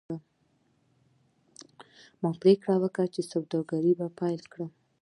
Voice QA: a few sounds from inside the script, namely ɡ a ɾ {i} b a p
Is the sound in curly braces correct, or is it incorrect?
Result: correct